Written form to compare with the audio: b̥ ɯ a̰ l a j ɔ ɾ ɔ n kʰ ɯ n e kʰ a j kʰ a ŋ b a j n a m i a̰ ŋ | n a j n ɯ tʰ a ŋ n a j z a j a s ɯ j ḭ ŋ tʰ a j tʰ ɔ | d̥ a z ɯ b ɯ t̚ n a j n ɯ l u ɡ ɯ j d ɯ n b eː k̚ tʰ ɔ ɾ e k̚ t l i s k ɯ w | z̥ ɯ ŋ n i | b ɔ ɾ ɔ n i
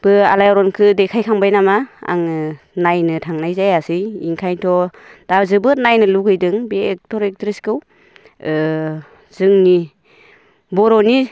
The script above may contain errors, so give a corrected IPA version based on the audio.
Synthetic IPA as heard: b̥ ɯ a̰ l a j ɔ ɾ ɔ n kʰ ɯ d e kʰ a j kʰ a ŋ b a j n a m a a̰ ŋ | n a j n ɯ tʰ a ŋ n a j z a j a s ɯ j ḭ ŋ kʰ a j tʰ ɔ | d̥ a z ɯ b ɯ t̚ n a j n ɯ l u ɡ ɯ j d ɯ ŋ b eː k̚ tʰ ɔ ɾ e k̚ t ɾ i s k ɯ w | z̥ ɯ ŋ n i | b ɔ ɾ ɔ n i